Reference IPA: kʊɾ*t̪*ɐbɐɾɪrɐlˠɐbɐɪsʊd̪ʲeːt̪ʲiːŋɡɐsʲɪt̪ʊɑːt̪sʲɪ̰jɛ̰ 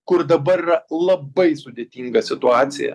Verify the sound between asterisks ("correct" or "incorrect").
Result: incorrect